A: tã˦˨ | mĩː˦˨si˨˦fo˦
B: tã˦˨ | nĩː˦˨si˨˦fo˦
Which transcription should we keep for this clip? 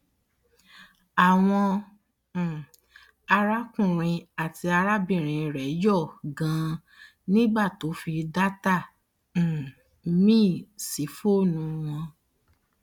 A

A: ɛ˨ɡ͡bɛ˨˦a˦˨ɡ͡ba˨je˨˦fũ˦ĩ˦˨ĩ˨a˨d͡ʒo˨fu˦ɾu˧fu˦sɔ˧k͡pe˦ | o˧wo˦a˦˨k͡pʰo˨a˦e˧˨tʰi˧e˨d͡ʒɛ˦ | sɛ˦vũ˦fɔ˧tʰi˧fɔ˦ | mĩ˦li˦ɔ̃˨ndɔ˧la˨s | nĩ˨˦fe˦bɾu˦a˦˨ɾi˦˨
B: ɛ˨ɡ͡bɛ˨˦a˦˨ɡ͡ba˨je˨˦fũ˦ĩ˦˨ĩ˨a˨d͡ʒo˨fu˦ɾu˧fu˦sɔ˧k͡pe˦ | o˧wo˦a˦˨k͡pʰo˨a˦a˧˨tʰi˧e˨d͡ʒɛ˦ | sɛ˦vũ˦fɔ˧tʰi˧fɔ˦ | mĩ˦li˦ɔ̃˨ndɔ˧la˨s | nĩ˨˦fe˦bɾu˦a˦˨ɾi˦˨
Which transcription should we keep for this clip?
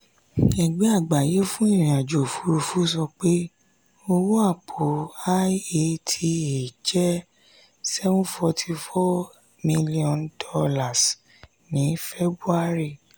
A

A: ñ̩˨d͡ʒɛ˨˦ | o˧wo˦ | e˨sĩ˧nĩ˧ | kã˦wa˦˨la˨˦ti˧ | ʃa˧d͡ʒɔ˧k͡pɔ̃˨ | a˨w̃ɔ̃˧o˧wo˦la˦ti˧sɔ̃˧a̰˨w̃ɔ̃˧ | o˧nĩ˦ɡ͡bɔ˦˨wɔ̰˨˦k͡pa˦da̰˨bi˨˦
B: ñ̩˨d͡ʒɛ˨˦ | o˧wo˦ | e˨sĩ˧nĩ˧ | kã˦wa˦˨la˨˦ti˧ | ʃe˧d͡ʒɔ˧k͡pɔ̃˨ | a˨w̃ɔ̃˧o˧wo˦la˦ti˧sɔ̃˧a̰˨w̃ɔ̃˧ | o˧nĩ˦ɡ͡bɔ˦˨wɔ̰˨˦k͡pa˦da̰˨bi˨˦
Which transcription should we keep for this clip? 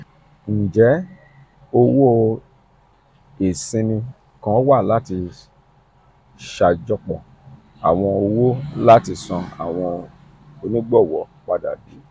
A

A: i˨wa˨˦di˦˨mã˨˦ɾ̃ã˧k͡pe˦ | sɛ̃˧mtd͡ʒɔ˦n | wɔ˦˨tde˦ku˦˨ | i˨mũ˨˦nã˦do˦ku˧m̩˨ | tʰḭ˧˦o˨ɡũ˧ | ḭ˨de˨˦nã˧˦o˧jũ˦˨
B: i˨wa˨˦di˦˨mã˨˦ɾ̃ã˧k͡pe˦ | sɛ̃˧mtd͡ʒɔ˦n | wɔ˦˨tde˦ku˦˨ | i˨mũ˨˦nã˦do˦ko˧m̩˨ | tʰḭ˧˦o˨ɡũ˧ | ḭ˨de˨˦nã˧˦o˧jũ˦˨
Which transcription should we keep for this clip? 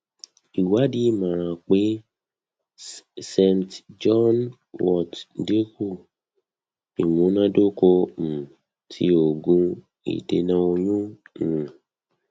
B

